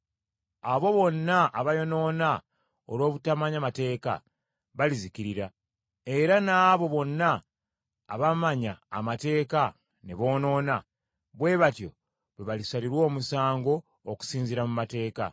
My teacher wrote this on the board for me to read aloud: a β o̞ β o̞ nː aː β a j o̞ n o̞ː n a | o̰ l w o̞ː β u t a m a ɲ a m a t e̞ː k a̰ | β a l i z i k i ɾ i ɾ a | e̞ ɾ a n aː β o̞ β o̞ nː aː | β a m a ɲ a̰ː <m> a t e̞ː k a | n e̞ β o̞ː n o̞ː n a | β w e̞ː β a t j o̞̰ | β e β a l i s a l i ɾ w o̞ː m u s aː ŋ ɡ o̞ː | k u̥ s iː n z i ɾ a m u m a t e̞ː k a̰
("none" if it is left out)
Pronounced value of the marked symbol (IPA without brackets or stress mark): m